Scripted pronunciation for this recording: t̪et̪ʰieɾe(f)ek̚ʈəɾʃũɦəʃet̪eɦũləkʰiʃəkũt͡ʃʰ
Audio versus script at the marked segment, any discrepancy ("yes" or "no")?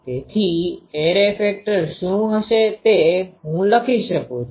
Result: no